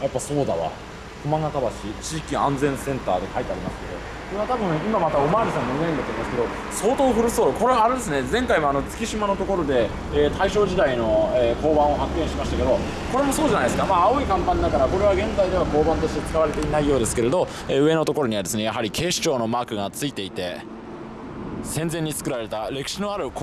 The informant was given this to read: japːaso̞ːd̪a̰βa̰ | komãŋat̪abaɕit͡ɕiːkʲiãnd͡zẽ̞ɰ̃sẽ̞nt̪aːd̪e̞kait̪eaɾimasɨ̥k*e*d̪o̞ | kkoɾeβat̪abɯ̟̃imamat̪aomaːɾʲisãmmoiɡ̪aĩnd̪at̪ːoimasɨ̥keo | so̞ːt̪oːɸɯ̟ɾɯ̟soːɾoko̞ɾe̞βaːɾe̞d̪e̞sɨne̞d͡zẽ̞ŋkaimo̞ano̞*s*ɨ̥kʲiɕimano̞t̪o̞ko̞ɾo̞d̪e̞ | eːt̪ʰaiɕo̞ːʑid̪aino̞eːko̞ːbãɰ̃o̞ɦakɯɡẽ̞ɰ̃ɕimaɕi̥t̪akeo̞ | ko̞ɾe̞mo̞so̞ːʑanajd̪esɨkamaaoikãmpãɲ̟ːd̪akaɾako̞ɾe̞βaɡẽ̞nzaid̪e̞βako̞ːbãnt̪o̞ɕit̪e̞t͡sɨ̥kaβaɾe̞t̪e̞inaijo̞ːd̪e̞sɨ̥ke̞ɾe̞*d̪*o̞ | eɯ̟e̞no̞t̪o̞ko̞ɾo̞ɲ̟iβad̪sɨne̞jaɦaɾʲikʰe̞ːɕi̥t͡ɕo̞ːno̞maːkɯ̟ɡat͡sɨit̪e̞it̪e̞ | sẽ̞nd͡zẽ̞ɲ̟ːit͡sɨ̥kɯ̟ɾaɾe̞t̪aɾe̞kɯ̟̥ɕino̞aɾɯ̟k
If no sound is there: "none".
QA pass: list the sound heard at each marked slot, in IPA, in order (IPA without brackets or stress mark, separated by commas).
e, t͡s, d̪